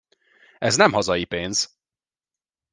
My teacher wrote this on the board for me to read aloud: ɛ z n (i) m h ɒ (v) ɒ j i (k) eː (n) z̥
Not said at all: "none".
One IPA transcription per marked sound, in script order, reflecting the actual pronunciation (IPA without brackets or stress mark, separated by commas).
ɛ, z, p, n